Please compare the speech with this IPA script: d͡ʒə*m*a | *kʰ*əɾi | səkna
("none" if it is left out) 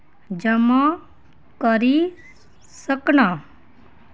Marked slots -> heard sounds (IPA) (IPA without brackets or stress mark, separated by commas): m, k